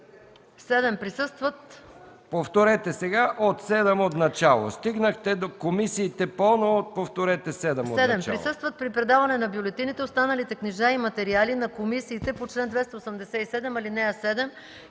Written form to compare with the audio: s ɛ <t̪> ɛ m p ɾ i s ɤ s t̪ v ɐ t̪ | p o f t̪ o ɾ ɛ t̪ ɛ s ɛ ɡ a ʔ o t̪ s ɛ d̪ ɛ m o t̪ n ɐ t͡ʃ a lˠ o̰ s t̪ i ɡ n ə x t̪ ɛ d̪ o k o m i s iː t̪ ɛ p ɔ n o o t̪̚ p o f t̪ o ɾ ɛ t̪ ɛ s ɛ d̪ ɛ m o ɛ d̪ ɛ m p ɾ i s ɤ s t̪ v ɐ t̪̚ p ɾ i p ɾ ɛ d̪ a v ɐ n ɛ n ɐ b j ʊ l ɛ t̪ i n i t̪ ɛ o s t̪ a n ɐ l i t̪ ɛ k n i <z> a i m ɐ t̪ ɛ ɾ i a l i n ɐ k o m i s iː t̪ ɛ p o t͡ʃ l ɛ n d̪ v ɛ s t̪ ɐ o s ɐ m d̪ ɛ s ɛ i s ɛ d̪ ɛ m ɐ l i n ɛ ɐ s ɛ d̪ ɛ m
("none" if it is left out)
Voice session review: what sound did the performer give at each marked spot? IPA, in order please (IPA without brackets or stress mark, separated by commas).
d̪, ʒ